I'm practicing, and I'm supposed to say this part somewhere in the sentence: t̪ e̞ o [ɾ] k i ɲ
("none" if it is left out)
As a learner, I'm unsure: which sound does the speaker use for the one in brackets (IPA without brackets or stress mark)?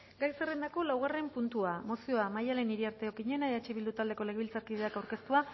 none